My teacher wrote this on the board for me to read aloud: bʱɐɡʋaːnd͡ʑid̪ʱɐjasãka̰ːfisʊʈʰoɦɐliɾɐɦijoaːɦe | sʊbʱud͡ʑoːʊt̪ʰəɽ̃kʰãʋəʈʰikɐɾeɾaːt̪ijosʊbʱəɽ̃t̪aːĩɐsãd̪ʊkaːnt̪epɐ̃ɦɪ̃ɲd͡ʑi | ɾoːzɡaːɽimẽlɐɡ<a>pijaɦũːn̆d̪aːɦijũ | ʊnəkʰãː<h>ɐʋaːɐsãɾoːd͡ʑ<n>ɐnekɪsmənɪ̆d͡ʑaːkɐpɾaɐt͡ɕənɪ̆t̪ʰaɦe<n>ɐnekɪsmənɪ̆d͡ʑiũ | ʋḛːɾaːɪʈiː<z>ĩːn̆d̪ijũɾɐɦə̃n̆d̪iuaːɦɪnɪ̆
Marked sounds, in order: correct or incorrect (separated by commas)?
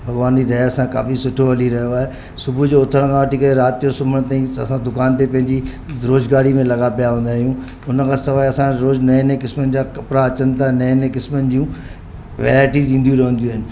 correct, incorrect, correct, correct, correct